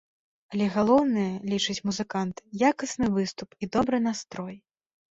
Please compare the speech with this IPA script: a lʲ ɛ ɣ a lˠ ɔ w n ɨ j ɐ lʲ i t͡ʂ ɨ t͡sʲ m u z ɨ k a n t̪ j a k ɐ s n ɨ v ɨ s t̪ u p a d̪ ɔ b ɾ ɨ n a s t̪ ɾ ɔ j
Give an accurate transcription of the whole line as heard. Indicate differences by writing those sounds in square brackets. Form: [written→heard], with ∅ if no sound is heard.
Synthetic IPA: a lʲ ɛ ɣ a lˠ ɔ w n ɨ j ɐ lʲ i t͡ʂ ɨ t͡sʲ m u z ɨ k a n t̪ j a k ɐ s n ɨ v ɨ s t̪ u p [a→i] d̪ ɔ b ɾ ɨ n a s t̪ ɾ ɔ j